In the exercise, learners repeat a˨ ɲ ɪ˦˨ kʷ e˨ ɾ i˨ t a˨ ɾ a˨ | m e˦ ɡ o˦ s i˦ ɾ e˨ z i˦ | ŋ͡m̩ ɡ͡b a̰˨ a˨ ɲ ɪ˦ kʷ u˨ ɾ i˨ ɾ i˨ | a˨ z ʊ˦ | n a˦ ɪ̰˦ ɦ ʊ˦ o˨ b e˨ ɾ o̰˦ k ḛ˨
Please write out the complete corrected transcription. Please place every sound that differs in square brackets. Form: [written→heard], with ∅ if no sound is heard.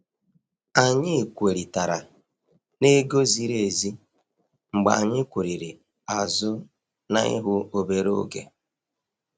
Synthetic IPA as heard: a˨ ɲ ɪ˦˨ kʷ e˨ ɾ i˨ t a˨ ɾ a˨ | [m→n] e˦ ɡ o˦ [s→z] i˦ ɾ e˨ z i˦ | ŋ͡m̩ ɡ͡b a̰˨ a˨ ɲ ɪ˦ kʷ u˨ ɾ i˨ ɾ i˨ | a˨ z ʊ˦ | n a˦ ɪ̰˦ ɦ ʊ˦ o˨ b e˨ ɾ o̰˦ [k→ɡ] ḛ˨